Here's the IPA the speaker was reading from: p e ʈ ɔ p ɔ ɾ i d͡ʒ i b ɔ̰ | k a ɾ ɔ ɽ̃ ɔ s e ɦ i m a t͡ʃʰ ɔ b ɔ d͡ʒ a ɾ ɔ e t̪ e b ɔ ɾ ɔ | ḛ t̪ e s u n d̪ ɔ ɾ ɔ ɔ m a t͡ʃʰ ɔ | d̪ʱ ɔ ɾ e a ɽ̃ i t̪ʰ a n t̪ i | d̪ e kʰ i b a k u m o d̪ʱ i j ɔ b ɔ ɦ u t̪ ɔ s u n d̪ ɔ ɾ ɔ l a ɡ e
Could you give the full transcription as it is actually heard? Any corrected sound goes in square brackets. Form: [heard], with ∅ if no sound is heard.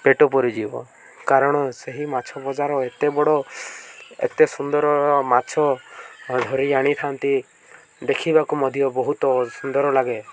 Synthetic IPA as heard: p e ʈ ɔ p ɔ ɾ i d͡ʒ i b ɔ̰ | k a ɾ ɔ ɽ̃ ɔ s e ɦ i m a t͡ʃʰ ɔ b ɔ d͡ʒ a ɾ ɔ e t̪ e b ɔ [ɽ] ɔ | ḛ t̪ e s u n d̪ ɔ ɾ ɔ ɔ m a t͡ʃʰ ɔ | d̪ʱ ɔ ɾ [i] a ɽ̃ i t̪ʰ a n t̪ i | d̪ e kʰ i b a k u m [ɔ] d̪ʱ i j ɔ b ɔ ɦ u t̪ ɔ s u n d̪ ɔ ɾ ɔ l a ɡ e

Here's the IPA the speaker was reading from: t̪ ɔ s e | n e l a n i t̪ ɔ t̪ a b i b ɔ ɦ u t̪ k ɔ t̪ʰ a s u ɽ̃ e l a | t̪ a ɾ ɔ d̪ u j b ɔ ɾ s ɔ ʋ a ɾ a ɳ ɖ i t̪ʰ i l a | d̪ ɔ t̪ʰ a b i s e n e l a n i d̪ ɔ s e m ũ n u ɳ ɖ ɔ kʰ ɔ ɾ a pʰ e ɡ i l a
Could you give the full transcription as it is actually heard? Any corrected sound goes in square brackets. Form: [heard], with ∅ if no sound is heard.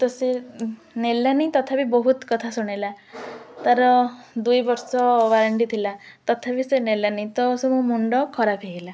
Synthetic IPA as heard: t̪ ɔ s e | n e l a n i t̪ ɔ [t̪ʰ] a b i b ɔ ɦ u t̪ k ɔ t̪ʰ a s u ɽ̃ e l a | t̪ a ɾ ɔ d̪ u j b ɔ ɾ s ɔ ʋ a ɾ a ɳ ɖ i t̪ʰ i l a | [t̪] ɔ t̪ʰ a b i s e n e l a n i [t̪] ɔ s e m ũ [m] u ɳ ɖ ɔ kʰ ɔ ɾ a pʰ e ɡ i l a

